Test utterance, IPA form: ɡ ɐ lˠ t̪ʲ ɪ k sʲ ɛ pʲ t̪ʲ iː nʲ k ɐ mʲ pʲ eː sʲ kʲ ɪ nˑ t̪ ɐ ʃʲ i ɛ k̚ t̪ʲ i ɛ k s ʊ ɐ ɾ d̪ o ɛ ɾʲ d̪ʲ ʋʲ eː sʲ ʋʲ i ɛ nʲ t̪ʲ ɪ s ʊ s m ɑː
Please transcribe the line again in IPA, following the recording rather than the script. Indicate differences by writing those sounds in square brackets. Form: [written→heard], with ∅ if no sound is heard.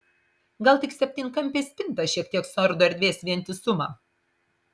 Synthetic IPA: ɡ ɐ lˠ t̪ʲ ɪ k sʲ ɛ pʲ t̪ʲ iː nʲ k ɐ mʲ pʲ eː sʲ [kʲ→pʲ] ɪ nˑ t̪ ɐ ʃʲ i ɛ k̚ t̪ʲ i ɛ k s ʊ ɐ ɾ d̪ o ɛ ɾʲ d̪ʲ ʋʲ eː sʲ ʋʲ i ɛ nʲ t̪ʲ ɪ s ʊ [s→∅] m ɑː